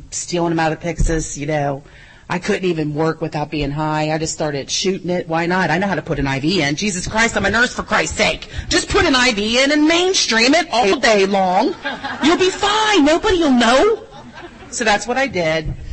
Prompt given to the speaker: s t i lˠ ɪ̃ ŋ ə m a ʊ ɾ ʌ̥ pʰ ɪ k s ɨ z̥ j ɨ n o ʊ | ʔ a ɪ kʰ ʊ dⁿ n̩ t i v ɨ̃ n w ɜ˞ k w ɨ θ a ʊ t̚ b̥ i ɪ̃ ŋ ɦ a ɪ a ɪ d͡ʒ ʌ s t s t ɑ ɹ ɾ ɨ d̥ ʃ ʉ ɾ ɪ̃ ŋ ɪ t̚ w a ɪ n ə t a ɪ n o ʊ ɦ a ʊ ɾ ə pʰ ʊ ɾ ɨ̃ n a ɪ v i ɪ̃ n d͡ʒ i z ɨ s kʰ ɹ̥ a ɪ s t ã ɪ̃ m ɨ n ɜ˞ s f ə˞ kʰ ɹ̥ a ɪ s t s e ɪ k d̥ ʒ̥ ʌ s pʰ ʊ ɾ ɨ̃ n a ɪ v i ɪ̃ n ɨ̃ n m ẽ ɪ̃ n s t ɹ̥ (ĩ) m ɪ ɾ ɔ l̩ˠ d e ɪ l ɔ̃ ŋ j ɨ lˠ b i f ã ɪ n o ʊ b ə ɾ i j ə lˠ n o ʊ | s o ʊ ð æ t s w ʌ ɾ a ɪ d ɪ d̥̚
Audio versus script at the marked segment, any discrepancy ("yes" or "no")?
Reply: no